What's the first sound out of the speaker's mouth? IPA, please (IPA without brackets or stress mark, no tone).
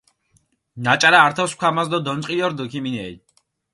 n